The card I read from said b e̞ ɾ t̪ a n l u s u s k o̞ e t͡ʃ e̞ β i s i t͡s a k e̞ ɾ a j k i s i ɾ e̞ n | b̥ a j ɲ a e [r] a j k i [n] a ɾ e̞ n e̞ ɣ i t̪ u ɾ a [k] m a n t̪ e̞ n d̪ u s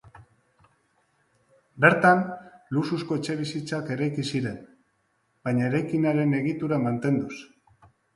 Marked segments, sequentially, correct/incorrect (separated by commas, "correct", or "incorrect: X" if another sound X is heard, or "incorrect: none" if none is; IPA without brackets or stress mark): incorrect: ɾ, correct, incorrect: none